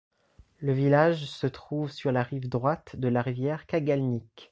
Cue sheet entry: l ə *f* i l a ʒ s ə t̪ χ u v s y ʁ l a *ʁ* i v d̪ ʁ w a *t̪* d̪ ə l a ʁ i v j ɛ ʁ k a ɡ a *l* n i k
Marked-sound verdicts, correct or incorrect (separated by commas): incorrect, correct, correct, correct